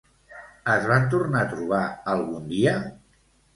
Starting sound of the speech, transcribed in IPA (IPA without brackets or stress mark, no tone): ə